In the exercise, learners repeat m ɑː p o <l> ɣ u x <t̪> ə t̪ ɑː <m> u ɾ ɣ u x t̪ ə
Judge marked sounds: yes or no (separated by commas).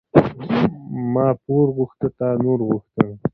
no, yes, no